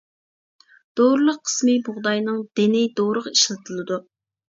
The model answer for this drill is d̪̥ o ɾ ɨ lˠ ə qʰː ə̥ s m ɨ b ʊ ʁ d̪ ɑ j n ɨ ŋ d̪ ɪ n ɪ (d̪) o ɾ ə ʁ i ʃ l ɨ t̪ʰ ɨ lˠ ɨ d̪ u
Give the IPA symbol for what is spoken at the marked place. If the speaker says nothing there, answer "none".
d̪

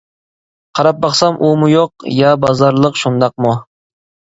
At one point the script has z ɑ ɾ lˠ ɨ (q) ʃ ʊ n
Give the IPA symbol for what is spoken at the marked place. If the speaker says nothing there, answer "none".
q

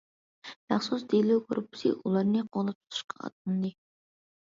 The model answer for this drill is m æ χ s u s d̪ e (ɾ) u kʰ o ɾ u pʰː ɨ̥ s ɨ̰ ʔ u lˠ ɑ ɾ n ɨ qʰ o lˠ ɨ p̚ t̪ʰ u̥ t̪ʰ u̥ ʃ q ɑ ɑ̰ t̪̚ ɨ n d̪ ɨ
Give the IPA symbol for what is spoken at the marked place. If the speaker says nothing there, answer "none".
l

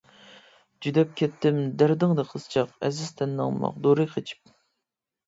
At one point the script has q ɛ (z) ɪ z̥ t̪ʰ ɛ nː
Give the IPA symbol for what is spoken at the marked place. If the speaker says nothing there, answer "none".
z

